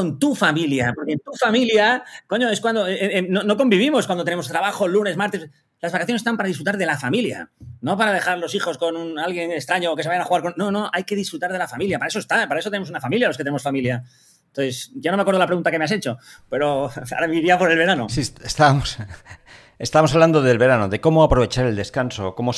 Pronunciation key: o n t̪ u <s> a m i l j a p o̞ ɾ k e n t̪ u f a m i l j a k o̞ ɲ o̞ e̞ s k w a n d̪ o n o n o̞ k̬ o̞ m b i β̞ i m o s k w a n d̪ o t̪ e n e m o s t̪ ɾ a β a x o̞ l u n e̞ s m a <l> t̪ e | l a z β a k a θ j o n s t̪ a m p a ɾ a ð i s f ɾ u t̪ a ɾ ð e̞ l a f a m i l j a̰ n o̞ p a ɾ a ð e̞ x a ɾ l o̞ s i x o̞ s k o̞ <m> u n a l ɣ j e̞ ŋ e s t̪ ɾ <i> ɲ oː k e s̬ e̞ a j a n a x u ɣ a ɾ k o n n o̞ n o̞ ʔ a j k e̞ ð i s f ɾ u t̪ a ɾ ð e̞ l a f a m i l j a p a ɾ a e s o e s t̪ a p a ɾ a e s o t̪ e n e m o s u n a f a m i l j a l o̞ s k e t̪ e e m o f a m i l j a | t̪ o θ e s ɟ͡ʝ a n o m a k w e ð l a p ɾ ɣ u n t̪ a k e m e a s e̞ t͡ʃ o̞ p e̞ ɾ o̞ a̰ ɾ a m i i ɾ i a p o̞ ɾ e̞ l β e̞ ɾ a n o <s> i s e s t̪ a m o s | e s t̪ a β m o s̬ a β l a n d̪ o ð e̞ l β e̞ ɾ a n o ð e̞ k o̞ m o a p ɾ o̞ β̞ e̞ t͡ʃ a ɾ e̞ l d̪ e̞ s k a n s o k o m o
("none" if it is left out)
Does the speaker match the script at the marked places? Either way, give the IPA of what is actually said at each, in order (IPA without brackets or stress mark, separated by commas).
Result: f, ɾ, n, a, s